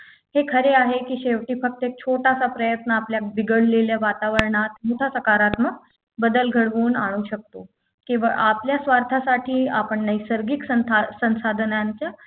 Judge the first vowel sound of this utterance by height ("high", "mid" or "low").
mid